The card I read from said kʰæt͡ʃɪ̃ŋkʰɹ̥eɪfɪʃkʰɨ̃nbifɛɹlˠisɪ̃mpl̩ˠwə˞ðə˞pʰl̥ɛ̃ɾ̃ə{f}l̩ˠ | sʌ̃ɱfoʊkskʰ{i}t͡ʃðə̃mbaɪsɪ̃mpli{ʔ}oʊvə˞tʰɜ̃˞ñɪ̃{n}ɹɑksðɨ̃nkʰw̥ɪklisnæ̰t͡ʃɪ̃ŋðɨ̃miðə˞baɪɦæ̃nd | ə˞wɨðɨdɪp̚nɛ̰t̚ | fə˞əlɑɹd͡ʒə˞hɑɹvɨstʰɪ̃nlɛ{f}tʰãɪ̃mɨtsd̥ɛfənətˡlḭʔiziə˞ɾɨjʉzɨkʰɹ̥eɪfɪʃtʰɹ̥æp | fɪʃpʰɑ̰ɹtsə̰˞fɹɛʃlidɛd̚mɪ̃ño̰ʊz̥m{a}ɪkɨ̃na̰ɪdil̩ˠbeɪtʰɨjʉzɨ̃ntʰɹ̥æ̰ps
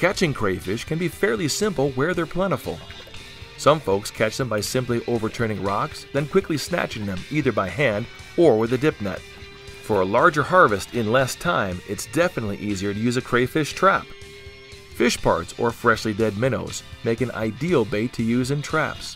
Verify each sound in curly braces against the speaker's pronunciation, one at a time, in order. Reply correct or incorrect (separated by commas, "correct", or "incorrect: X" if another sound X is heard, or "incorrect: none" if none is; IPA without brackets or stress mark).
correct, incorrect: æ, correct, incorrect: ŋ, incorrect: s, incorrect: e